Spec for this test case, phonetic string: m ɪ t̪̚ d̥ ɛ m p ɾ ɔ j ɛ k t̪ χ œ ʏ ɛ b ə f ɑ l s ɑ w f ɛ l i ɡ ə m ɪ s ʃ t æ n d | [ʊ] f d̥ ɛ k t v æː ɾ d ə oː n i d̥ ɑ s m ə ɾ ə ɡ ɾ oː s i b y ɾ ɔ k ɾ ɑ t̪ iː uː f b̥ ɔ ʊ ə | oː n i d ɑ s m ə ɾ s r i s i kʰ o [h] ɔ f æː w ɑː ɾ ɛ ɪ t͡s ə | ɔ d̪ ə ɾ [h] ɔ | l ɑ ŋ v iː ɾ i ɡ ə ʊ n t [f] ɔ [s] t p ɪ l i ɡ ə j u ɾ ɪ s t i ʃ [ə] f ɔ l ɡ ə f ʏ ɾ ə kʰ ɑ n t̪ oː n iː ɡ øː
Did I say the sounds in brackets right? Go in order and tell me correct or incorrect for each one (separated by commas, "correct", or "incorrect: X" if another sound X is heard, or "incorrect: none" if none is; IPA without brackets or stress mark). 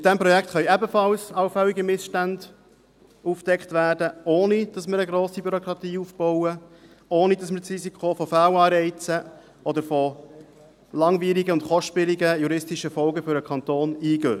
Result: incorrect: u, incorrect: f, incorrect: f, incorrect: χ, incorrect: ʃ, correct